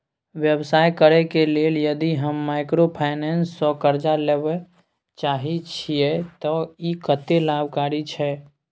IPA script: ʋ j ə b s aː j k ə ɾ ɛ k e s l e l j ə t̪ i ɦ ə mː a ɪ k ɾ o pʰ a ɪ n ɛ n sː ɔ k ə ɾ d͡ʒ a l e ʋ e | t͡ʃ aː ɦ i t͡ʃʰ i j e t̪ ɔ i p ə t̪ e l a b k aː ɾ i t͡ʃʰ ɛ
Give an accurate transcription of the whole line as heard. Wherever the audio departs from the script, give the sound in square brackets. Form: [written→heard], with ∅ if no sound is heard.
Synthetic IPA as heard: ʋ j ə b s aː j k ə ɾ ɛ k e [s→∅] l e l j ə [t̪→d̪] i ɦ ə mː a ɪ k ɾ o pʰ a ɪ n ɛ n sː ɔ k ə ɾ d͡ʒ a l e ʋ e | t͡ʃ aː ɦ i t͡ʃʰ i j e t̪ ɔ i [p→k] ə t̪ e l a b k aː ɾ i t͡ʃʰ ɛ